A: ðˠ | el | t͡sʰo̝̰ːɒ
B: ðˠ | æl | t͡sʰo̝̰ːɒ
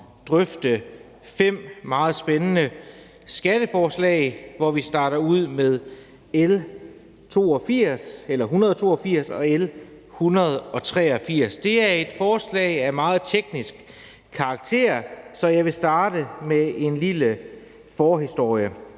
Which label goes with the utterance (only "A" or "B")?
A